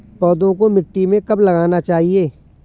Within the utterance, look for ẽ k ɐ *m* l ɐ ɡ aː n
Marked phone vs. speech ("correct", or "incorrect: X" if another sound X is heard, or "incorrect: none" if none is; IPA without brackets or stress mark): incorrect: b